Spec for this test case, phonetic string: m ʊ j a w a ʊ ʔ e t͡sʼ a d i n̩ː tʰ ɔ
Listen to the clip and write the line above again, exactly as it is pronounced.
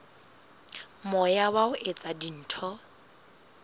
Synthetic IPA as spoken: m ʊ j a w a ʊ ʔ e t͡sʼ a d i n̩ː tʰ ɔ